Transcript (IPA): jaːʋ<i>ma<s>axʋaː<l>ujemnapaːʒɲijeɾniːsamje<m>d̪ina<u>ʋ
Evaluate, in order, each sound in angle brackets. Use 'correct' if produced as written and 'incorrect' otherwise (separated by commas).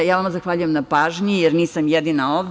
incorrect, incorrect, incorrect, incorrect, incorrect